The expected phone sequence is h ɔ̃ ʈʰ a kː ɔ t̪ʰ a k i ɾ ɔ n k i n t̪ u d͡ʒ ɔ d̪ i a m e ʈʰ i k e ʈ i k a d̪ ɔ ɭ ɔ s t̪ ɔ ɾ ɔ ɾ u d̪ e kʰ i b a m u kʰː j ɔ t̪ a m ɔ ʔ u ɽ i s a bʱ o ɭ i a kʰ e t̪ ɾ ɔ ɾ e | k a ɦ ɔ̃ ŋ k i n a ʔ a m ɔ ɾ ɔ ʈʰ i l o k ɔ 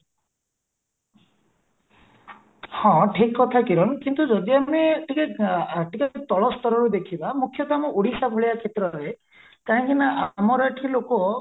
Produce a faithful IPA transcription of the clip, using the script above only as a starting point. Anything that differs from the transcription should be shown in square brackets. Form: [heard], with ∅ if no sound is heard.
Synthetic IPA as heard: h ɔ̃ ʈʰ [i] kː ɔ t̪ʰ a k i ɾ ɔ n k i n t̪ u d͡ʒ ɔ d̪ i a m e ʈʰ i k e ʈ i k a [t̪] ɔ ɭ ɔ s t̪ ɔ ɾ ɔ ɾ u d̪ e kʰ i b a m u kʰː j ɔ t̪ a m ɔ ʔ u ɽ i s a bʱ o ɭ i a kʰ e t̪ ɾ ɔ ɾ e | k a ɦ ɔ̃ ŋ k i n a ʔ a m ɔ ɾ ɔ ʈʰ i l o k ɔ